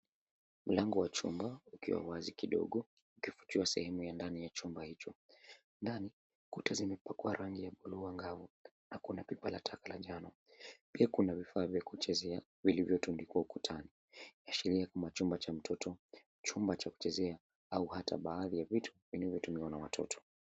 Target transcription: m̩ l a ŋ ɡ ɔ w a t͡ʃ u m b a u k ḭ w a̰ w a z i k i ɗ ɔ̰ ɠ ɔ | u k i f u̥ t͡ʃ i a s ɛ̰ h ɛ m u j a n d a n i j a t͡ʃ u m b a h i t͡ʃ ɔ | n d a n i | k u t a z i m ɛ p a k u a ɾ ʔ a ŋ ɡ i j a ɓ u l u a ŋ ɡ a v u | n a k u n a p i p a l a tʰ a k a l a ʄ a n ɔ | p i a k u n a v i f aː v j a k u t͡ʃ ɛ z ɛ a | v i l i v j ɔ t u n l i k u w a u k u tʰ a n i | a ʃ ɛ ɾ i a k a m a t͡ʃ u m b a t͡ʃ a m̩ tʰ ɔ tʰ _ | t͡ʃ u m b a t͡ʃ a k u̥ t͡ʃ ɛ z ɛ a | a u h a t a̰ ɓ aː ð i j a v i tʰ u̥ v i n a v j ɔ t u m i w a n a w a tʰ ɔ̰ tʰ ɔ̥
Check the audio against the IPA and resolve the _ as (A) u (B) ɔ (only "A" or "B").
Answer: B